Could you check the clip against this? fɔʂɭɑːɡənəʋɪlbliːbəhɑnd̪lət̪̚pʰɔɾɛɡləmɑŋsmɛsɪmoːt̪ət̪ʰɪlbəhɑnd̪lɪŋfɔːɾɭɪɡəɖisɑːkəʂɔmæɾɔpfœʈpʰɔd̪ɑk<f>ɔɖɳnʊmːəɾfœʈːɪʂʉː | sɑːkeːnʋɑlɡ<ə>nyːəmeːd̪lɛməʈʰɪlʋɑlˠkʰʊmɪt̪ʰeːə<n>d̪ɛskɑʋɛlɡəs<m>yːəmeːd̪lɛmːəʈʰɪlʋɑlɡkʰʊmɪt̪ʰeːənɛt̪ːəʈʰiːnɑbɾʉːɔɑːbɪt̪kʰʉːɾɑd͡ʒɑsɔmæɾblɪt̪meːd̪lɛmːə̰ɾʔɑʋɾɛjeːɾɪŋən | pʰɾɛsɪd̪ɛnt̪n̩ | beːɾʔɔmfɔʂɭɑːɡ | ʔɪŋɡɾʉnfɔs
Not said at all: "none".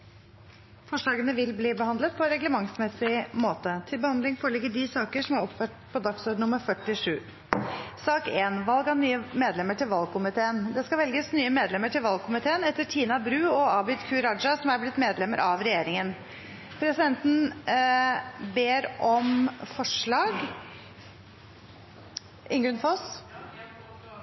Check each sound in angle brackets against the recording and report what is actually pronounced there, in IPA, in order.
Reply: s, ɑ, n, n

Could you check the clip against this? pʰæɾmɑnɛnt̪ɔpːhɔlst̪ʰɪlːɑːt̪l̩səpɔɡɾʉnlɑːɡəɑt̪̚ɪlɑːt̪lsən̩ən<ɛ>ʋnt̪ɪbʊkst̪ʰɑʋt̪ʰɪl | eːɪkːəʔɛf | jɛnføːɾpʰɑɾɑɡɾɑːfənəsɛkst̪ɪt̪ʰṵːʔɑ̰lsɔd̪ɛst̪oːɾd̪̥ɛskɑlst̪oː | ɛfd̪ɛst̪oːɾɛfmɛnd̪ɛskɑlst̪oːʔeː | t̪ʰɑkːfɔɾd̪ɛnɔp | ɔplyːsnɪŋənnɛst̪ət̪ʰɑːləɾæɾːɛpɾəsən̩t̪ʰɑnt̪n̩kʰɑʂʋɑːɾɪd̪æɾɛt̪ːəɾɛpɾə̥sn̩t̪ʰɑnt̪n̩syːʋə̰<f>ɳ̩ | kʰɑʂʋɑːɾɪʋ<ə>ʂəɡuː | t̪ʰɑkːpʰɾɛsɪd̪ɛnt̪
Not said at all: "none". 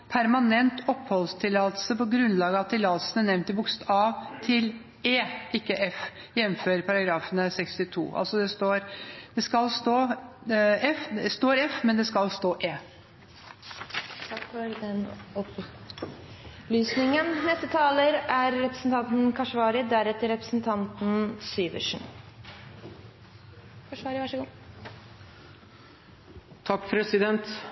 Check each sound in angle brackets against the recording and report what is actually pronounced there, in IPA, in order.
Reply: ɛ, ʂ, ɑ

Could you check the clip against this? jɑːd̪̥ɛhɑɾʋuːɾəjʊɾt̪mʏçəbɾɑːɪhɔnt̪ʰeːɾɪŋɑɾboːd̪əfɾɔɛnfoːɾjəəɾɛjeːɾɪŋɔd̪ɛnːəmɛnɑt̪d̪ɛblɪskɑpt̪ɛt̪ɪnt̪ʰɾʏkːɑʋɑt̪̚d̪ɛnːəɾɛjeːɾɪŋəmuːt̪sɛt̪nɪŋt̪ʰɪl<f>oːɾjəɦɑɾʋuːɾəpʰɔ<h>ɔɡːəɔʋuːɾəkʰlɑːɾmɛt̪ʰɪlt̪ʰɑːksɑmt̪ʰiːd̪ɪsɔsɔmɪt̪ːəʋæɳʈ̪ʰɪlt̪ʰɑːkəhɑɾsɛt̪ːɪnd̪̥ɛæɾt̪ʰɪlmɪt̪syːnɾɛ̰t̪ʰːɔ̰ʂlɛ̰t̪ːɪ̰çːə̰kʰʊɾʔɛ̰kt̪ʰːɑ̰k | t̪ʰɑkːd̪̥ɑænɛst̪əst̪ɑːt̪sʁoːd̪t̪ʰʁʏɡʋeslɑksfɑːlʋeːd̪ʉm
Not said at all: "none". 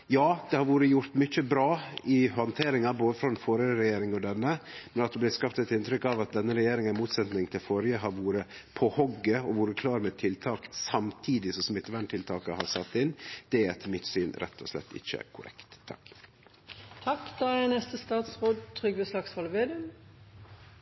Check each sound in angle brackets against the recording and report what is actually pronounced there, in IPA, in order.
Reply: f, h

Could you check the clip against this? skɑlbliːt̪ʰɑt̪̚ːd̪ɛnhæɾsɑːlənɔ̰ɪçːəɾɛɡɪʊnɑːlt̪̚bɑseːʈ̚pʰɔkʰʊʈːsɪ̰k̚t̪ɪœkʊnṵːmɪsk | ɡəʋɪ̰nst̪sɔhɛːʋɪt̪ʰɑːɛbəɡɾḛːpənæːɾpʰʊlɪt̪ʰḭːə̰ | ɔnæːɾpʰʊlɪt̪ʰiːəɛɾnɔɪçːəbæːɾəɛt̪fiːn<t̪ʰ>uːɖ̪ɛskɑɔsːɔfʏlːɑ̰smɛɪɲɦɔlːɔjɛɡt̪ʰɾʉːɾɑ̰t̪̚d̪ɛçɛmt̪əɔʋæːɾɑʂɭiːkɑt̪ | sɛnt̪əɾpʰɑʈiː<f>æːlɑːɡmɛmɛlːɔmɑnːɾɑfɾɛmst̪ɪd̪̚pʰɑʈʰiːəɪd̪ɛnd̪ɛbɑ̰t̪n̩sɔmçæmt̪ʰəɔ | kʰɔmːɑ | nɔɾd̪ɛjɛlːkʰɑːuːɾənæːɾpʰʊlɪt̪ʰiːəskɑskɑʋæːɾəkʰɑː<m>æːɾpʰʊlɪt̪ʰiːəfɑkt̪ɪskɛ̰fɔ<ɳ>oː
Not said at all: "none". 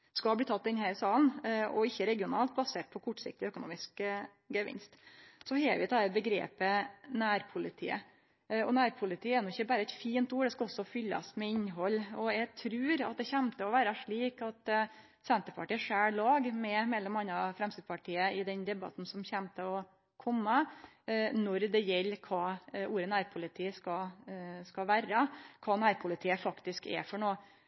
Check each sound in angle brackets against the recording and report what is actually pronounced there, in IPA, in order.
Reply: t̪, ʂ, n, ɳ

